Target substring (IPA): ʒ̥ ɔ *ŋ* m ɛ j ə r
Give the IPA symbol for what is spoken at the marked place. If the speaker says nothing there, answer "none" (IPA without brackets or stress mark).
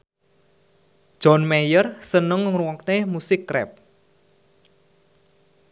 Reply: n